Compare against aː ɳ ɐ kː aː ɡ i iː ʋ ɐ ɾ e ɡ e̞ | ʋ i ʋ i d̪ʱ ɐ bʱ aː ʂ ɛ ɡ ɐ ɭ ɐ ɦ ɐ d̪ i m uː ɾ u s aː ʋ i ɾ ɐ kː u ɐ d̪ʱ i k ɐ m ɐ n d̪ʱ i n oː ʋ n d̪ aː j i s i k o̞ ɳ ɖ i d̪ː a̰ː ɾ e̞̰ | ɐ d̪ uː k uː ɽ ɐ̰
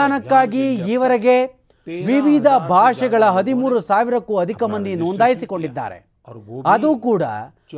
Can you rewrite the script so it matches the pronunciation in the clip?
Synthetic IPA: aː n ɐ kː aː ɡ i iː ʋ ɐ ɾ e ɡ e̞ | ʋ i ʋ i d̪ʱ ɐ bʱ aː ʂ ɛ ɡ ɐ ɭ ɐ ɦ ɐ d̪ i m uː ɾ u s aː ʋ i ɾ ɐ kː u ɐ d̪ʱ i k ɐ m ɐ n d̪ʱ i n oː n d̪ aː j i s i k o̞ ɳ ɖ i d̪ː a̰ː ɾ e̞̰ | ɐ d̪ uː k uː ɽ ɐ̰